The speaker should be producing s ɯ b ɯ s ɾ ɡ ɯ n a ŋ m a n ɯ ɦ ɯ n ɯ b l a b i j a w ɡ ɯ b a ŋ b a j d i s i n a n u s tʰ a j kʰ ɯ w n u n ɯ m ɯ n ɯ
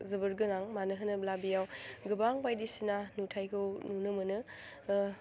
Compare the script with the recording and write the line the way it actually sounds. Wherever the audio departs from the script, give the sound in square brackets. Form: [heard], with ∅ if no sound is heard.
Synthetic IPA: [z] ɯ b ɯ [∅] ɾ ɡ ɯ n a ŋ m a n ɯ ɦ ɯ n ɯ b l a b i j a w ɡ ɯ b a ŋ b a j d i s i n a n u [∅] tʰ a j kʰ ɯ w n u n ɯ m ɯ n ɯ

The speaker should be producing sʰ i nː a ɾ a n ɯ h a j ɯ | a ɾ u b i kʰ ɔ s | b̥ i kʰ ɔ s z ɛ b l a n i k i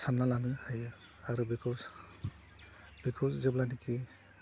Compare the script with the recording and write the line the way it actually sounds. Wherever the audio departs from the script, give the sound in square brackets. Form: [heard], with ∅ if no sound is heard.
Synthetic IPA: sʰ [a] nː a [l] a n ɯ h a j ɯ | a ɾ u b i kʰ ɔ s | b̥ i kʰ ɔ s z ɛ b l a n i k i

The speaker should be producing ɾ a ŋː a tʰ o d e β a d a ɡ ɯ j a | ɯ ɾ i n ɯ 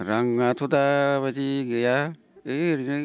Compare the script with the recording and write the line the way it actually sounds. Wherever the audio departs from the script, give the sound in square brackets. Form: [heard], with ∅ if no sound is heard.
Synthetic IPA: ɾ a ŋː a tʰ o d [a] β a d [i] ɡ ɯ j a | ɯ ɾ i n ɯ

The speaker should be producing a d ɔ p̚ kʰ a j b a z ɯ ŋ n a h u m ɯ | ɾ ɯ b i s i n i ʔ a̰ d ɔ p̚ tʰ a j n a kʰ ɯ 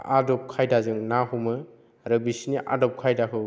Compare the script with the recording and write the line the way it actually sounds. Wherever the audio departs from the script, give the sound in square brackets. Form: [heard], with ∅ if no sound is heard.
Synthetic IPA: a d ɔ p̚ kʰ a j [d] a z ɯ ŋ n a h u m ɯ | ɾ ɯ b i s i n i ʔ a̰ d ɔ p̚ [kʰ] a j [d] a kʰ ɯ

